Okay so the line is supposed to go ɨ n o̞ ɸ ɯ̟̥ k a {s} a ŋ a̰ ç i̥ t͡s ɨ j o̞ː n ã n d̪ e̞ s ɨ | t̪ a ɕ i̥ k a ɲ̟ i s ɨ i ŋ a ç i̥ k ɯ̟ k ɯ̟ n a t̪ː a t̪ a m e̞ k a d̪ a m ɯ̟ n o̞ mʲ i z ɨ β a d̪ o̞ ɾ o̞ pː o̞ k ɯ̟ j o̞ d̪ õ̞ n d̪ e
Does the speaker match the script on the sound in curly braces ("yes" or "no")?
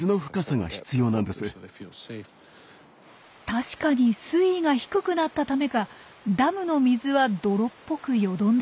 yes